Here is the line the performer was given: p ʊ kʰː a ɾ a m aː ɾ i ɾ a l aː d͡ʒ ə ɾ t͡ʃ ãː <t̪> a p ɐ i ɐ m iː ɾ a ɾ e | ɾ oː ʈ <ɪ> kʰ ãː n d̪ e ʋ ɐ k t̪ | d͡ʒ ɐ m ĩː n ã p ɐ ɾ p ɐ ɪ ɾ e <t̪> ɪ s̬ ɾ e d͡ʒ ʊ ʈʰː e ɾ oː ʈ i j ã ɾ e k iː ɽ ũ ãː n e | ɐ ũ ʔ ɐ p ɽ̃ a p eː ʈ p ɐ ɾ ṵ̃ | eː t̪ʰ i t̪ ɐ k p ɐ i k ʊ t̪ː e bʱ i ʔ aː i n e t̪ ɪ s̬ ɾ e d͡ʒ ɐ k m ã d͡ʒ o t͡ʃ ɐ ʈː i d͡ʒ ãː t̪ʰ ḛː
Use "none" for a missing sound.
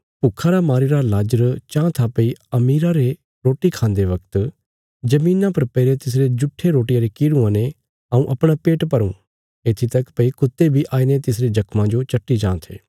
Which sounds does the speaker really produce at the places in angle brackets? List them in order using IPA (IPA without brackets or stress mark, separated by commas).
t̪ʰ, i, t̪